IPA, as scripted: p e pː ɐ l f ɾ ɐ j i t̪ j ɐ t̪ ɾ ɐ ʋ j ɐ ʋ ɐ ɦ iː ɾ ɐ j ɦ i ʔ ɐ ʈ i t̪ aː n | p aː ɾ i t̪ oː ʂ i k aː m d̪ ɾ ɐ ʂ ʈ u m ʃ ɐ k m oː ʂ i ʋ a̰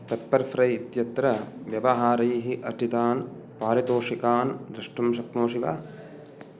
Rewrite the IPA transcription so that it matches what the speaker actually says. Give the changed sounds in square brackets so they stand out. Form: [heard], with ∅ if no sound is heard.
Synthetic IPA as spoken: p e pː ɐ [ɾ] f ɾ ɐ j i t̪ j ɐ t̪ ɾ ɐ ʋ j ɐ ʋ ɐ ɦ [aː] ɾ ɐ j ɦ i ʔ ɐ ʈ i t̪ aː n | p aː ɾ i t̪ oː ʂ i k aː [n] d̪ ɾ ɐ ʂ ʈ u m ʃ ɐ k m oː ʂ i ʋ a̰